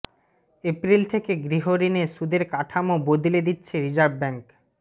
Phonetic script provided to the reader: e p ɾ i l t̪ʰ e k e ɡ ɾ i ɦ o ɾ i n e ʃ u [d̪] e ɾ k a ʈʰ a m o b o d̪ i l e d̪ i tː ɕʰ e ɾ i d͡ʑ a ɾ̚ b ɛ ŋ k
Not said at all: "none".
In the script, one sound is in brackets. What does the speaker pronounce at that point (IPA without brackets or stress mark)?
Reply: d̪